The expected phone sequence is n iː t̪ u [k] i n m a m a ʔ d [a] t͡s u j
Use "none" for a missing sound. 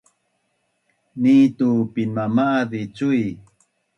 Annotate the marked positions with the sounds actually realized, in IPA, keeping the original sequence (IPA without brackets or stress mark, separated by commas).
p, i